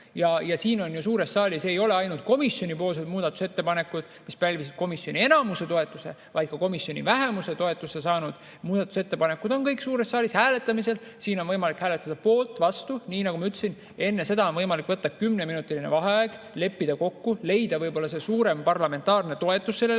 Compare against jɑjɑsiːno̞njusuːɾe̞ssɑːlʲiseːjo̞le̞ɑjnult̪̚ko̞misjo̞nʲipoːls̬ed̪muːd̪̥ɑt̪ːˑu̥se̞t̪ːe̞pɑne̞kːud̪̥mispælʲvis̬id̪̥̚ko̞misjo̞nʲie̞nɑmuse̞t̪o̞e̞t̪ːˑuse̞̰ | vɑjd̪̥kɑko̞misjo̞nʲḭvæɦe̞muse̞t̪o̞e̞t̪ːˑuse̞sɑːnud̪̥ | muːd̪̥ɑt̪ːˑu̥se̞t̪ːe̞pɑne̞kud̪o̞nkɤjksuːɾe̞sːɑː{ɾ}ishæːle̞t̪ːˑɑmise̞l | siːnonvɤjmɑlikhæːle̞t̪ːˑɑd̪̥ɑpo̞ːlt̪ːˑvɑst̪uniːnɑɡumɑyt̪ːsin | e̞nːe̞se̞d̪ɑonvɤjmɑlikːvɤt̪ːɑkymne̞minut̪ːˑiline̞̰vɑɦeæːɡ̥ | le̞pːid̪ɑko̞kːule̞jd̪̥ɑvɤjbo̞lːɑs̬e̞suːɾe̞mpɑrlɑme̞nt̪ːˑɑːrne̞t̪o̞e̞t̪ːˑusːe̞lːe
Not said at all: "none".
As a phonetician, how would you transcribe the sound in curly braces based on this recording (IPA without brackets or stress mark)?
l